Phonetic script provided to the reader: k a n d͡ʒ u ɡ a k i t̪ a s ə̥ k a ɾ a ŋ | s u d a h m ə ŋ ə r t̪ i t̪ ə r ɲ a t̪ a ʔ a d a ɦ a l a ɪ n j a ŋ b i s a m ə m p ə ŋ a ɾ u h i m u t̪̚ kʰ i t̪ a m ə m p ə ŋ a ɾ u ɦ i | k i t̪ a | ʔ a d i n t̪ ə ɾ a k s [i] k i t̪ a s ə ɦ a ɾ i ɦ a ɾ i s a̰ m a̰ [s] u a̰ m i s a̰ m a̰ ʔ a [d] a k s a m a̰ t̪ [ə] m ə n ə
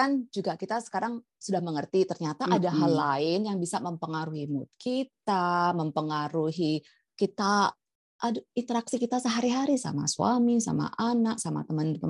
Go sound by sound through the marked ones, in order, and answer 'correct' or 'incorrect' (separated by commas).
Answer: correct, correct, incorrect, correct